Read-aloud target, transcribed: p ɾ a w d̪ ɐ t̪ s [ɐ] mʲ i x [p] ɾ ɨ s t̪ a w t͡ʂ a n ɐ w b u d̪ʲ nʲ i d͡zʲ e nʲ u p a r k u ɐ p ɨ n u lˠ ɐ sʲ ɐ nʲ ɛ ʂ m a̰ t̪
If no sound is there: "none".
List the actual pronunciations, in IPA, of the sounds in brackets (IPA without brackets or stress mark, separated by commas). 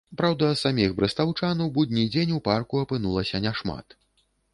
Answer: a, b